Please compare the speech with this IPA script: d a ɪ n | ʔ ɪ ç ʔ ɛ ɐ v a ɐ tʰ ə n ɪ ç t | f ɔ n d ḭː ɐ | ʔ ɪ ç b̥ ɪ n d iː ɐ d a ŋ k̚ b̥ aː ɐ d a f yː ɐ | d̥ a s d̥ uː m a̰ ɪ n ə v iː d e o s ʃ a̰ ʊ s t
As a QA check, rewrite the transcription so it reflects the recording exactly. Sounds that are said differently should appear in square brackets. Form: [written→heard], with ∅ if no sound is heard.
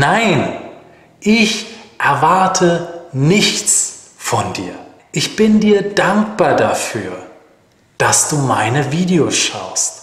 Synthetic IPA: [d→n] a ɪ n | ʔ ɪ ç ʔ ɛ ɐ v a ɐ tʰ ə n ɪ ç [t→t͡s] | f ɔ n d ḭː ɐ | ʔ ɪ ç b̥ ɪ n d iː ɐ d a ŋ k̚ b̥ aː ɐ d a f yː ɐ | d̥ a s d̥ uː m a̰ ɪ n ə v iː d e o s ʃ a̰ ʊ s t